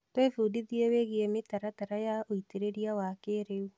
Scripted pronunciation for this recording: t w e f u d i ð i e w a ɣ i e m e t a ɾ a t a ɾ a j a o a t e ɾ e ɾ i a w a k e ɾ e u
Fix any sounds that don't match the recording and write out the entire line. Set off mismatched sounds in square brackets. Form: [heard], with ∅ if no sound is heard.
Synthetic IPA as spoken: t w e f u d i ð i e w [e] ɣ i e m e t a ɾ a t a ɾ a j a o [i] t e ɾ e ɾ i a w a k e ɾ e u